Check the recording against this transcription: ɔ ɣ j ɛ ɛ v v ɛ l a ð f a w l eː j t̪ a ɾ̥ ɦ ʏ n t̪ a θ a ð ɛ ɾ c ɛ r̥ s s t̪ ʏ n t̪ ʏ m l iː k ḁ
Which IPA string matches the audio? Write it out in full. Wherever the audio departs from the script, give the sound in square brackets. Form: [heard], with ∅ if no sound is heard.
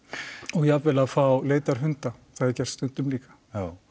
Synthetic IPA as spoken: ɔ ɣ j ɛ [a] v v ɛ l a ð f a w l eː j t̪ a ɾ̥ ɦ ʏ n t̪ a θ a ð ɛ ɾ c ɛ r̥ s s t̪ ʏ n t̪ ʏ m l iː k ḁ